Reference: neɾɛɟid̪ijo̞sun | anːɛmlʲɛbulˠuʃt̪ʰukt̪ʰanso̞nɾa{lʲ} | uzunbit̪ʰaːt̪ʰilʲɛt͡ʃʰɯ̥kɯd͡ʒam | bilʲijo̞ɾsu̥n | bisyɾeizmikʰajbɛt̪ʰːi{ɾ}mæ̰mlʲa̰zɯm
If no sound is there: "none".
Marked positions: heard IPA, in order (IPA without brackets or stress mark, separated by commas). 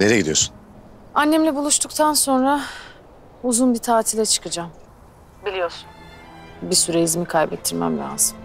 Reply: none, ɾ